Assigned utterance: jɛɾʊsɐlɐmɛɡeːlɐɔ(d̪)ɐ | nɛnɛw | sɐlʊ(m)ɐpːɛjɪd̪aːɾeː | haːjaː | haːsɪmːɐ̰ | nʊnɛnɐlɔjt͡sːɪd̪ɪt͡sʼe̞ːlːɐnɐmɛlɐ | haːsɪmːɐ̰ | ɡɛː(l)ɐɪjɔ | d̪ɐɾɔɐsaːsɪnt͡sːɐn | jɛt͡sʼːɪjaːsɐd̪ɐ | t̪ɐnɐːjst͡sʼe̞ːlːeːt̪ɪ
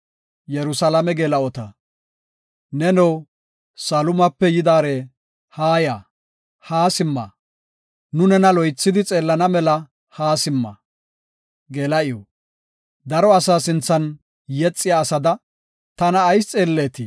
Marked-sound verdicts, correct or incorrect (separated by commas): incorrect, correct, correct